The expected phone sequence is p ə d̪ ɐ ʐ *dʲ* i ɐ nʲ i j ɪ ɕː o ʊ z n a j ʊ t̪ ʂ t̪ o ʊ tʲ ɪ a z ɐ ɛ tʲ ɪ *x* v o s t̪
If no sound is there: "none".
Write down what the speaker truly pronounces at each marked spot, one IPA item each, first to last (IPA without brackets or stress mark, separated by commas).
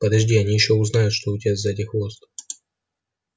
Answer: dʲ, x